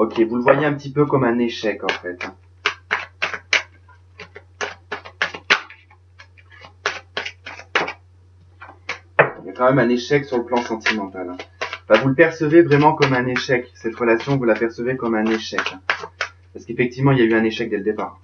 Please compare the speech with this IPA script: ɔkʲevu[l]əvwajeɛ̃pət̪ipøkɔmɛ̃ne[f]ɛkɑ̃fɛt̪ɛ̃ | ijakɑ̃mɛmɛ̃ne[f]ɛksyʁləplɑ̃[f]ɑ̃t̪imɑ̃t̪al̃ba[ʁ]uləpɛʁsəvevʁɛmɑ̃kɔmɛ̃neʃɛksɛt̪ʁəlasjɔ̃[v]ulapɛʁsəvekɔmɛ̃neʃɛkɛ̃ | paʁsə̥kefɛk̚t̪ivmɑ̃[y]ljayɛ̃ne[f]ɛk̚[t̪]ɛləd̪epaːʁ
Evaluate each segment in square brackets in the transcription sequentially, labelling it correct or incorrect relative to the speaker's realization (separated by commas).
correct, incorrect, incorrect, incorrect, incorrect, correct, incorrect, incorrect, incorrect